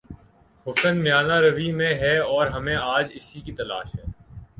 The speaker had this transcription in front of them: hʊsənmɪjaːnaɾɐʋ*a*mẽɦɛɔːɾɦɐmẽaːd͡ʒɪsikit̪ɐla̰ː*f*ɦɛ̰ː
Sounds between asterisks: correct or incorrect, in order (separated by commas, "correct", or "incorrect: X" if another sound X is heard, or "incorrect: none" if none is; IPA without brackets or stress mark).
incorrect: i, incorrect: ʃ